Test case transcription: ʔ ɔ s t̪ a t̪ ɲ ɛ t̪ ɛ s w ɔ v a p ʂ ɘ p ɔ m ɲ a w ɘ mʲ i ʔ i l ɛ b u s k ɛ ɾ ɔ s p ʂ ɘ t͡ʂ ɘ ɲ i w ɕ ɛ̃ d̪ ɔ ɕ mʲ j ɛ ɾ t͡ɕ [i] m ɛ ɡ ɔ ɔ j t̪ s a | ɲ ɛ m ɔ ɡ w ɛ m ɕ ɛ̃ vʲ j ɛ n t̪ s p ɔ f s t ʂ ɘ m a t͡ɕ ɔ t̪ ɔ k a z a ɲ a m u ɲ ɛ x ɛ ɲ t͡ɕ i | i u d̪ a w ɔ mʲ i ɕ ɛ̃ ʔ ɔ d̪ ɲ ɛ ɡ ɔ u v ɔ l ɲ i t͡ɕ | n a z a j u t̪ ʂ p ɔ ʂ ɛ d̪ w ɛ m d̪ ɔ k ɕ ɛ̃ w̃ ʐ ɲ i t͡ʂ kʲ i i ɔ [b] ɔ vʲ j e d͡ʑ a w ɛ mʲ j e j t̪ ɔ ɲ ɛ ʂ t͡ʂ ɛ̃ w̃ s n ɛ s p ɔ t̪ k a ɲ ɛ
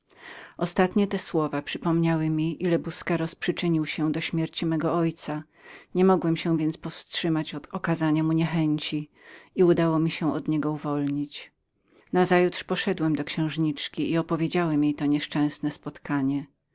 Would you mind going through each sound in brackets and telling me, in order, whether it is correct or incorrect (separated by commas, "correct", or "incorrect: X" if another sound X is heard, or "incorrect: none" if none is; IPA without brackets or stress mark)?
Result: correct, incorrect: p